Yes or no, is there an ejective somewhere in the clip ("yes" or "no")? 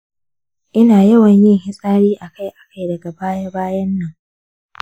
yes